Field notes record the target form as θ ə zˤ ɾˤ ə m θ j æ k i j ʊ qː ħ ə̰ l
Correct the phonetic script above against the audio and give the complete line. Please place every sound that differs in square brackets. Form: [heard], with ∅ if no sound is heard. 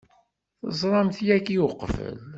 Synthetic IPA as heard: θ ə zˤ ɾˤ [ɑ] m θ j æ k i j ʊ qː [f] ə̰ l